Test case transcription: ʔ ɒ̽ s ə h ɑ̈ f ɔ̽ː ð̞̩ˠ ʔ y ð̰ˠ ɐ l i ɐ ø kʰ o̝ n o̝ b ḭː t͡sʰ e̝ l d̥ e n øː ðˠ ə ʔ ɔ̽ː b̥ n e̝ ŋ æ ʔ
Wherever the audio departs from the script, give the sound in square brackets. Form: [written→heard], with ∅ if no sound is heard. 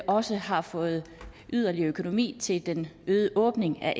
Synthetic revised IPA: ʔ ɒ̽ s ə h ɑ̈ f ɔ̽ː ð̞̩ˠ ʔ y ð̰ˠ ɐ l i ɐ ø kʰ o̝ n o̝ [b→m] ḭː t͡sʰ e̝ l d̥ e n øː ðˠ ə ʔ ɔ̽ː b̥ n e̝ ŋ æ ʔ